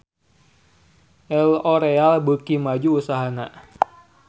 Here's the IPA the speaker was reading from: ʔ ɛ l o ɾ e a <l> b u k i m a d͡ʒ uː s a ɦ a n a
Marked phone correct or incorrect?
correct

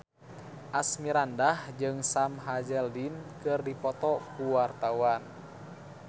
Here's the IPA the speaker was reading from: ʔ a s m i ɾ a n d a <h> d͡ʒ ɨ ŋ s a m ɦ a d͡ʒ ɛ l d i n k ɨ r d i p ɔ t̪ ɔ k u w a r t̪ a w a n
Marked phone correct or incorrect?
correct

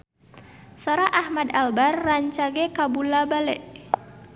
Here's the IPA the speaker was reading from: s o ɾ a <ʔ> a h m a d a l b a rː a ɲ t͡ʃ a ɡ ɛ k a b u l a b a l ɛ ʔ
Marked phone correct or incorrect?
correct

